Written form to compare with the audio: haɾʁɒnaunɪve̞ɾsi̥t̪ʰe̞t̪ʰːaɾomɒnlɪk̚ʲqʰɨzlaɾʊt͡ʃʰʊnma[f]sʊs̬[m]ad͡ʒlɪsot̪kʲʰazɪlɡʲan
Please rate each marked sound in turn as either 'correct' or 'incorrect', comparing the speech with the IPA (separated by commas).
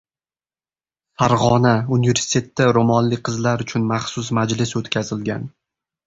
incorrect, correct